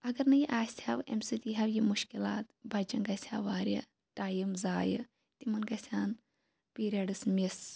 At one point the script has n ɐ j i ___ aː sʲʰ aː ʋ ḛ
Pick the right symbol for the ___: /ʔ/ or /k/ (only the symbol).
ʔ